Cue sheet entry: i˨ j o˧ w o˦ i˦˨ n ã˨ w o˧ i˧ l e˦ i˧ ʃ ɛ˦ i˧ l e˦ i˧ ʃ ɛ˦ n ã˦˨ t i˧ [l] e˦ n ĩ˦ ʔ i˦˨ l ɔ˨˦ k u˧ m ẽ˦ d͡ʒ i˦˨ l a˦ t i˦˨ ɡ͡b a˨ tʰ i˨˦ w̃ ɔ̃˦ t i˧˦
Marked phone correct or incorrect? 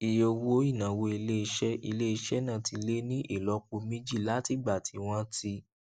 correct